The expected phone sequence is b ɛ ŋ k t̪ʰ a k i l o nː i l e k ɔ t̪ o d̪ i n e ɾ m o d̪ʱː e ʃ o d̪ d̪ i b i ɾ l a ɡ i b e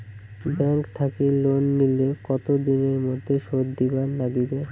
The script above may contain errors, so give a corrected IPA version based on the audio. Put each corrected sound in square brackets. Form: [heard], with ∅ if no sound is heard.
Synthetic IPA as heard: b ɛ ŋ k t̪ʰ a k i l o nː i l e k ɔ t̪ o d̪ i n e ɾ m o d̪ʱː e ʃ o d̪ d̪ i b [a] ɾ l a ɡ i b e